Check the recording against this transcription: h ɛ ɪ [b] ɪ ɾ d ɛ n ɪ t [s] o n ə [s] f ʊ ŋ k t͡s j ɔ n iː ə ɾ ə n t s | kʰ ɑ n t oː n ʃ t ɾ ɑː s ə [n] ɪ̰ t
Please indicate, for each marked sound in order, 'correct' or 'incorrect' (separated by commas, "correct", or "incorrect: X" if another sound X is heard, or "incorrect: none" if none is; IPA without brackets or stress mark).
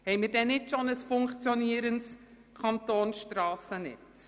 incorrect: m, incorrect: ʃ, correct, correct